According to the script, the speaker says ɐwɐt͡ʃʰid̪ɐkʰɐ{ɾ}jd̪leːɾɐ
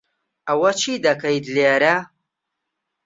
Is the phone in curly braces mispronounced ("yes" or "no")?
yes